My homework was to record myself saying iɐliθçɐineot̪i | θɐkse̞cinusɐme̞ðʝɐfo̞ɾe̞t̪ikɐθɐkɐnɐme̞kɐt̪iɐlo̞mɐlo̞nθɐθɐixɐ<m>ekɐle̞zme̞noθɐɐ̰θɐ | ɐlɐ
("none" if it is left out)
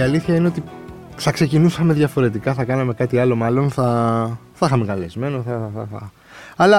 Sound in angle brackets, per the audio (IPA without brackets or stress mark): m